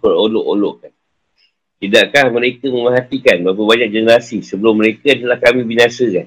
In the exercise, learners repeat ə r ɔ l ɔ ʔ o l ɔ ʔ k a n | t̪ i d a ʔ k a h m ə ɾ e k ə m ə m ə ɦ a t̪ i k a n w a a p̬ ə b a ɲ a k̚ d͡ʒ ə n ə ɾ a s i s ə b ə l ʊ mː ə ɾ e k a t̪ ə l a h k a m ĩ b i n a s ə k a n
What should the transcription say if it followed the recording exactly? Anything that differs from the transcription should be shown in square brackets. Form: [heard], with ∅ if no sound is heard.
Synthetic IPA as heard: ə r [o] l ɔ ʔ o l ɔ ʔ k a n | t̪ i d a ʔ k a h m ə ɾ e k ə m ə m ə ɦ a t̪ i k a n [b] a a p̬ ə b a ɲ a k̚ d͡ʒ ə n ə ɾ a s i s ə b ə l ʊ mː ə ɾ e k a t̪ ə l a h k a m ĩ b i n a s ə k a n